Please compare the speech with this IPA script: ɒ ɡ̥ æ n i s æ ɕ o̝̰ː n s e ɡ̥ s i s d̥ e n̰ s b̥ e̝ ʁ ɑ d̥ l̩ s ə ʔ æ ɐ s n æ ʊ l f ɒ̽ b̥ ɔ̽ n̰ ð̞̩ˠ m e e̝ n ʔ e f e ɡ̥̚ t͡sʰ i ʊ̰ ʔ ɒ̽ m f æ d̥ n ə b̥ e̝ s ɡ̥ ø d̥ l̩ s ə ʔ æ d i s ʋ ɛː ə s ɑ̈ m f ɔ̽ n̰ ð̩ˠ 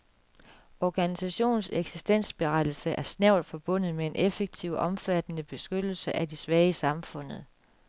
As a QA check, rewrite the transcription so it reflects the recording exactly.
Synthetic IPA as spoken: ɒ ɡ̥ æ n i s æ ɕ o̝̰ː n s e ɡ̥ s i s d̥ e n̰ s b̥ e̝ ʁ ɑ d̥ l̩ s ə ʔ æ ɐ s n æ ʊ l f ɒ̽ b̥ ɔ̽ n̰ ð̞̩ˠ m e e̝ n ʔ e f e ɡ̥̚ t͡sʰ i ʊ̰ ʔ ɒ̽ m f æ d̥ n ə b̥ e̝ s ɡ̥ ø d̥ l̩ s ə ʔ æ d i s ʋ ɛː ə s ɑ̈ m f ɔ̽ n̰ ð̩ˠ